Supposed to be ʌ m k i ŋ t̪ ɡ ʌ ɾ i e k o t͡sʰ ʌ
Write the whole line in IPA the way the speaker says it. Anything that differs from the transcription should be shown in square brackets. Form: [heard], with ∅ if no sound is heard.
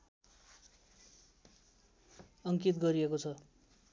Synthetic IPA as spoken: ʌ [ŋ] k i [∅] t̪ ɡ ʌ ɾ i e k o t͡sʰ ʌ